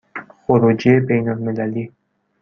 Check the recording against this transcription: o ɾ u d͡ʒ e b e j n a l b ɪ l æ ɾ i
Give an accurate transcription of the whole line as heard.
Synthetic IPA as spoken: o ɾ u d͡ʒ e b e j n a l m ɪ l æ l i